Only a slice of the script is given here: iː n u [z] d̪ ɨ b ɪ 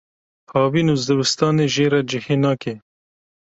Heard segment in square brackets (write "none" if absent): z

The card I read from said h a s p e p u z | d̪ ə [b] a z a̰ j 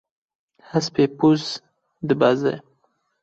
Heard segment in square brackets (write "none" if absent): b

